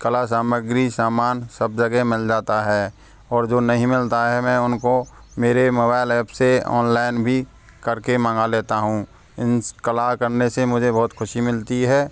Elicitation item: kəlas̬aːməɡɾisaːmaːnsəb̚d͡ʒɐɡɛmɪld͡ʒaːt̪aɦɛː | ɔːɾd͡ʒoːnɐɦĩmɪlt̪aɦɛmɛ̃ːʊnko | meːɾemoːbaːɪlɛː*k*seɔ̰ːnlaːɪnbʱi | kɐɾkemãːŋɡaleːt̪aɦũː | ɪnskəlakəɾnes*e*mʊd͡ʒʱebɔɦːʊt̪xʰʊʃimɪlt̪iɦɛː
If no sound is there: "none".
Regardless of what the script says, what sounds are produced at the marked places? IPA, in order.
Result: p, e

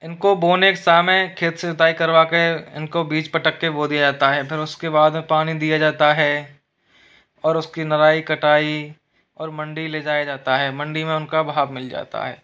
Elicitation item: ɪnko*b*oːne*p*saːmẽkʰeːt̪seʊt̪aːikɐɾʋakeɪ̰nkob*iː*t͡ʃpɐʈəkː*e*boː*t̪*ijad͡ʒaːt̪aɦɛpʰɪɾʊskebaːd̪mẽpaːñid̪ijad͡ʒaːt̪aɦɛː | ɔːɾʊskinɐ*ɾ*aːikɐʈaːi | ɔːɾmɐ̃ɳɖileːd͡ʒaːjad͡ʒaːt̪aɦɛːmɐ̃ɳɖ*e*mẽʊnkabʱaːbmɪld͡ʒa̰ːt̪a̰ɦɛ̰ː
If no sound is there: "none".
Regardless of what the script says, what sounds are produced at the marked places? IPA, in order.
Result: b, k, iː, e, d̪, ɾ, i

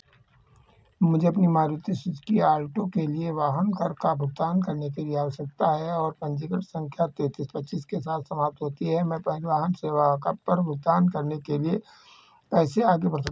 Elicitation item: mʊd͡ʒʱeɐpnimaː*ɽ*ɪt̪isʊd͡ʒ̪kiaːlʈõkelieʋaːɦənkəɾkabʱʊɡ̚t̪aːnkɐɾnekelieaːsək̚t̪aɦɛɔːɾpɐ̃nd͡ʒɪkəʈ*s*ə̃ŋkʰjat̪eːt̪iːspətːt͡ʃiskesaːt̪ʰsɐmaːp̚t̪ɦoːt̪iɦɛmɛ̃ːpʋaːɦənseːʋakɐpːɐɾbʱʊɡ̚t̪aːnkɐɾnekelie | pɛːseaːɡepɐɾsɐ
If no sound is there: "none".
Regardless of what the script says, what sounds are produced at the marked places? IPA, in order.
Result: ɾ, s

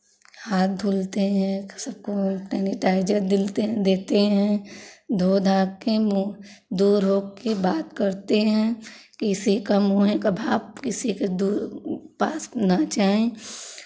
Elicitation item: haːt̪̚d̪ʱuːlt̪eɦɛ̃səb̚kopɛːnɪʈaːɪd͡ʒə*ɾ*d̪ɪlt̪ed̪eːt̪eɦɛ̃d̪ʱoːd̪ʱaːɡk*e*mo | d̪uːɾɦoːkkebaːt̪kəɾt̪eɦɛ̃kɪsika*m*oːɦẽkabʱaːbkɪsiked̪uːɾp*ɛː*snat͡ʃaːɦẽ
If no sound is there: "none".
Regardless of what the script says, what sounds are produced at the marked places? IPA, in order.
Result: ɾ, e, m, aː

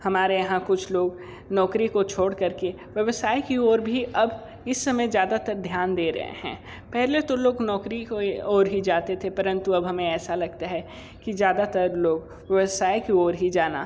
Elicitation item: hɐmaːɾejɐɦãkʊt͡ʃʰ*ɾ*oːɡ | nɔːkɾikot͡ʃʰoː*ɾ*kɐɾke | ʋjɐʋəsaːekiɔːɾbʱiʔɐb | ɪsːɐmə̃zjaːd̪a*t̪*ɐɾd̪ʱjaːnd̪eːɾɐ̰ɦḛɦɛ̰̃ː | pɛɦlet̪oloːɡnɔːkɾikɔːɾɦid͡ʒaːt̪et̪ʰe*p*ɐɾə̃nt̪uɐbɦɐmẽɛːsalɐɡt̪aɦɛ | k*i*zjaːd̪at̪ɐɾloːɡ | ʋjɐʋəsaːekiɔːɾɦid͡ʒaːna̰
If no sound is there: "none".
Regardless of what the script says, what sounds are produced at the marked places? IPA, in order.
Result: l, ɽ, t̪, p, i

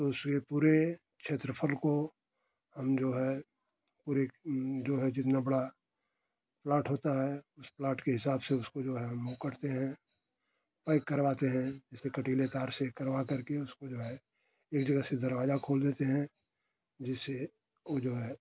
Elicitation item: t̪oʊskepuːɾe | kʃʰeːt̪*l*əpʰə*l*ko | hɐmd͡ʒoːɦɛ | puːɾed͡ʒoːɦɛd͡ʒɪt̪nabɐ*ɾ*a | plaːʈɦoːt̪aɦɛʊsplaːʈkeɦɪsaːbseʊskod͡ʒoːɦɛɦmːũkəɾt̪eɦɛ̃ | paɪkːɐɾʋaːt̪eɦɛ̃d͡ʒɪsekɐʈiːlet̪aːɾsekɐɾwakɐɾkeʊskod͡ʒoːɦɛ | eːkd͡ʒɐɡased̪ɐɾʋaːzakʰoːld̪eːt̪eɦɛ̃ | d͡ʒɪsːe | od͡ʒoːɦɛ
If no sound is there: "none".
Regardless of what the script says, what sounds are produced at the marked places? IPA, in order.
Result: ɾ, l, ɽ

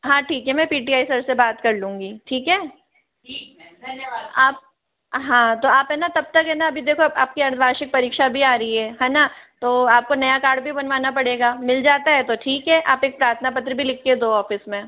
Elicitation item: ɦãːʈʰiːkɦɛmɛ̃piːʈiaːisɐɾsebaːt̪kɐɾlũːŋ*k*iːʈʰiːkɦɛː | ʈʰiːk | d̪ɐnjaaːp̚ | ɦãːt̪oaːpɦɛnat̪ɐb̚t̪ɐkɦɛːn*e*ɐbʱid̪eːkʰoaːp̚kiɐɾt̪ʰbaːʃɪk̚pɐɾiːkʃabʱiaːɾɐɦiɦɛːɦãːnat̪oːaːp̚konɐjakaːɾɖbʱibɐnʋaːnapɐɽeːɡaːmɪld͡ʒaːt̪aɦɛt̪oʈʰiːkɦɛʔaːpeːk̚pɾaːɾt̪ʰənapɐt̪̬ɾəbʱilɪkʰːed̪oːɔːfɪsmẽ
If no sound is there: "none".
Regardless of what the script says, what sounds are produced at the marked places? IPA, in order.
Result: ɡ, a

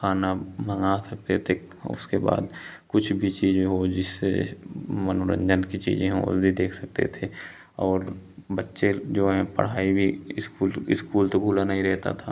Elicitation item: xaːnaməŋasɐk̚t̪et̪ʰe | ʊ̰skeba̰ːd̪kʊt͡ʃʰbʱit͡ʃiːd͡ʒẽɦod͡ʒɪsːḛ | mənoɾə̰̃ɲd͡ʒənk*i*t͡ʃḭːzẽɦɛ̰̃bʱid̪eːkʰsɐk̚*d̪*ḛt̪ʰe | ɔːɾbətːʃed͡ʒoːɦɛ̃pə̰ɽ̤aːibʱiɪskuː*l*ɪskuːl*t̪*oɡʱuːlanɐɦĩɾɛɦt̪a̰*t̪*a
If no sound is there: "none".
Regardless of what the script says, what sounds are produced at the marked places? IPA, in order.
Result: i, t̪, l, t̪, t̪ʰ

